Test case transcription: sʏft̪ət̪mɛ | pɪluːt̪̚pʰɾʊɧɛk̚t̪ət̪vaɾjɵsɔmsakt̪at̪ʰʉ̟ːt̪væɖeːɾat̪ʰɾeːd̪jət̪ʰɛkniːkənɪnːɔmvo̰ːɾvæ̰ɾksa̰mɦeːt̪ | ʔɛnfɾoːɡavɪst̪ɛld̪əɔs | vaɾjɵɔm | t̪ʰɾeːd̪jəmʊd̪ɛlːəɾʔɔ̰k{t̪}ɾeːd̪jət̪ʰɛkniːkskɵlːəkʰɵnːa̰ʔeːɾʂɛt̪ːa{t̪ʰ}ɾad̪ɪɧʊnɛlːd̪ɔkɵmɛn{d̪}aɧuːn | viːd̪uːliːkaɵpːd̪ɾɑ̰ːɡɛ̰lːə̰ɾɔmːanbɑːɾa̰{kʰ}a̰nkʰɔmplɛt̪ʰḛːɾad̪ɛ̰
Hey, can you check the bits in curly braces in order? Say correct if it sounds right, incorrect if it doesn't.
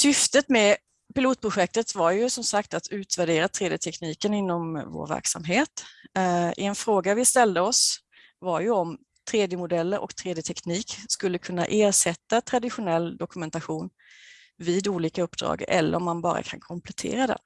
incorrect: t̪ʰ, correct, incorrect: t̪, correct

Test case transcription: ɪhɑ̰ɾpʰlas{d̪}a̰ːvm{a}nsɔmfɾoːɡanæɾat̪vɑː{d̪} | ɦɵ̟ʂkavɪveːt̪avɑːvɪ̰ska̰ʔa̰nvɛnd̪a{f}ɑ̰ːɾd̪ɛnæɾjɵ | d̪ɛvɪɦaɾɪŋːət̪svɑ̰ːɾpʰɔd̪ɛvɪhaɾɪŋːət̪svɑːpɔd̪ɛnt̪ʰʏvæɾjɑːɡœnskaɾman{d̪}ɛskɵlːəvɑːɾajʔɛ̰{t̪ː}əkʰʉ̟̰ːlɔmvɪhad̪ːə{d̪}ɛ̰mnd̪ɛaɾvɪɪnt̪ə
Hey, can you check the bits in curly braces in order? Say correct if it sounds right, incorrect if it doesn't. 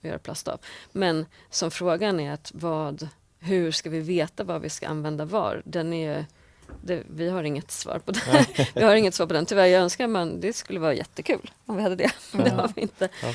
incorrect: t̪, incorrect: ɛ, correct, incorrect: v, correct, correct, correct

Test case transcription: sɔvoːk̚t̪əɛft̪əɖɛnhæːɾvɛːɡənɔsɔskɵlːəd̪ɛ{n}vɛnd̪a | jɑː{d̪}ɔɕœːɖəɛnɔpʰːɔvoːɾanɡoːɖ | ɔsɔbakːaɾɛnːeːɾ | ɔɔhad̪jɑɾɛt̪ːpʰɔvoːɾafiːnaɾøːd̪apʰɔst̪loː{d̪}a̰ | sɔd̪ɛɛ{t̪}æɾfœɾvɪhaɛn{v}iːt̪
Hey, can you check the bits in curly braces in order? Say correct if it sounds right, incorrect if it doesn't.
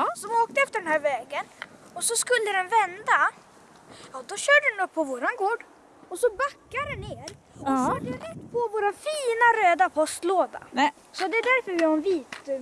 correct, correct, correct, incorrect: d̪, correct

